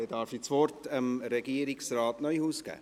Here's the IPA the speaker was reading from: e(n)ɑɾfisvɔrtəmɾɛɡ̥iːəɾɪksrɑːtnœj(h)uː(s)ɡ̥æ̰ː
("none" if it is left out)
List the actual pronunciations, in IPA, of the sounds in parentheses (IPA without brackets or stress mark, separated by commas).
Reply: d, h, s